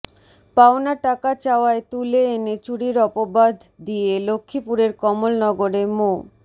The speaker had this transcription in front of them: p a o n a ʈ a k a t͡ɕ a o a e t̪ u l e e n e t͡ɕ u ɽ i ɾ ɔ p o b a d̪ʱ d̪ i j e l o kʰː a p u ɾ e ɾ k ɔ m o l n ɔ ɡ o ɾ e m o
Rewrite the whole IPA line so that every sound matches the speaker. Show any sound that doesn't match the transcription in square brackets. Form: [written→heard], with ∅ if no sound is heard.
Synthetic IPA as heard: p a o n a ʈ a k a t͡ɕ a o a e t̪ u l e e n e t͡ɕ u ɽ i ɾ ɔ p o b a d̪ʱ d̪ i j e l o kʰː [a→i] p u ɾ e ɾ k ɔ m o l n ɔ ɡ o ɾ e m o